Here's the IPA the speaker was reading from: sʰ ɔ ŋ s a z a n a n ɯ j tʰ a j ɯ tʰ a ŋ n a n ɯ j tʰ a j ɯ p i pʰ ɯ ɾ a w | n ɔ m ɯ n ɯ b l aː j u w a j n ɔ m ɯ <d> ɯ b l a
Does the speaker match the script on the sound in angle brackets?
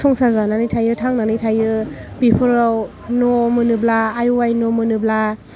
no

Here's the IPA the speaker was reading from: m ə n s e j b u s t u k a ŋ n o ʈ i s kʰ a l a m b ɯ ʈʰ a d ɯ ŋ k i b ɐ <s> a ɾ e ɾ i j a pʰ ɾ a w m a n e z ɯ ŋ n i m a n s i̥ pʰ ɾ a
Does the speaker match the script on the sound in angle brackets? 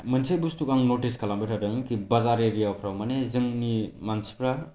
no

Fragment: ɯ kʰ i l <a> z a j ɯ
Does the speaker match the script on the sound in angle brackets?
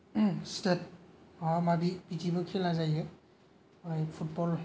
yes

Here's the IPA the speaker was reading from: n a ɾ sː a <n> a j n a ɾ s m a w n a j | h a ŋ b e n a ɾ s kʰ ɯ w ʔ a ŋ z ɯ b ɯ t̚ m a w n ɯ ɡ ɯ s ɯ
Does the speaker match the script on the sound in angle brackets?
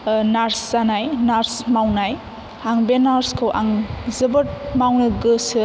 yes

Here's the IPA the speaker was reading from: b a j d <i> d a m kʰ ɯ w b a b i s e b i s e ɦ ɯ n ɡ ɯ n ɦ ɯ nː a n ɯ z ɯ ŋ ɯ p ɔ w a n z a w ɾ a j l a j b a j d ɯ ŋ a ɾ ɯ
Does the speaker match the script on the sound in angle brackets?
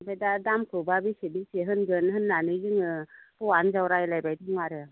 no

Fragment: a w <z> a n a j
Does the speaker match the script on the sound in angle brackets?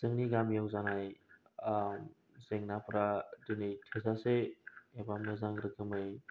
yes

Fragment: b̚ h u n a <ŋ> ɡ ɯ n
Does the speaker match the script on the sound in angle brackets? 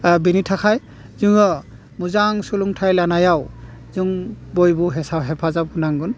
yes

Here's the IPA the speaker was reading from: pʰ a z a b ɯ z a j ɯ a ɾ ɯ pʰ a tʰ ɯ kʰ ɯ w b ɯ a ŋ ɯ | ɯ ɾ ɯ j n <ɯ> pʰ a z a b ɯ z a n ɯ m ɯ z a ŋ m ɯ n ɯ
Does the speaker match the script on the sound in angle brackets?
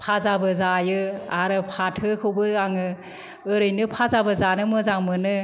yes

